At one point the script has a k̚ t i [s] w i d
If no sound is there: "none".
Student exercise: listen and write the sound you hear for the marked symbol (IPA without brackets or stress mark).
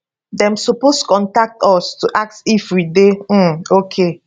f